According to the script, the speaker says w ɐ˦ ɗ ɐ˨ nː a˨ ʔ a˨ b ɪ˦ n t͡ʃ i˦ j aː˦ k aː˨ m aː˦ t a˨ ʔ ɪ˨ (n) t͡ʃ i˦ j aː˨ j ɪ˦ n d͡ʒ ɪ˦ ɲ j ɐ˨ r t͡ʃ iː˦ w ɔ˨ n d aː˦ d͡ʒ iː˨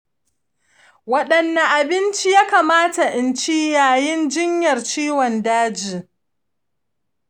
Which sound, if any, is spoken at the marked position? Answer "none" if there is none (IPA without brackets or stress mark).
n